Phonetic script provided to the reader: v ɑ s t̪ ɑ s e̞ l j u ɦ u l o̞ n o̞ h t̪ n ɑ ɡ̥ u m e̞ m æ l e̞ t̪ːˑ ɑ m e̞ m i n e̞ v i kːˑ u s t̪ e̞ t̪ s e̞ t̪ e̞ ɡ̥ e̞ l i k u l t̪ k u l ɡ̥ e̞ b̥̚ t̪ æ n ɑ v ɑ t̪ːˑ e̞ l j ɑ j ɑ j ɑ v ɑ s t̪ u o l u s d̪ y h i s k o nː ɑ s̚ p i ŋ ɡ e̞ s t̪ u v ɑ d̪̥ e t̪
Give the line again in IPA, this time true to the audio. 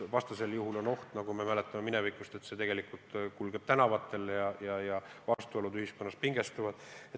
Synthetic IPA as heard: v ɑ s t̪ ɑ s e̞ l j u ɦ u l o̞ n o̞ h t̪ n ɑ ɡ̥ u m e̞ m æ l e̞ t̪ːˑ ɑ m e̞ m i n e̞ v i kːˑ u s t̪ e̞ t̪ s e̞ t̪ e̞ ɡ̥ e̞ l i k u l t̪ k u l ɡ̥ e̞ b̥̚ t̪ æ n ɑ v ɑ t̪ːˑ e̞ l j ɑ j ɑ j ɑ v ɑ s t̪ u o l u d̪ y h i s k o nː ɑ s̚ p i ŋ ɡ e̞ s t̪ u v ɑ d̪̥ e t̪